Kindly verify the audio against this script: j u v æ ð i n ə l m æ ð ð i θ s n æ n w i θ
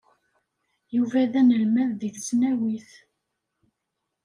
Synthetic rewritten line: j u v æ ð æ n ə l m æ ð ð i θ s n æ w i θ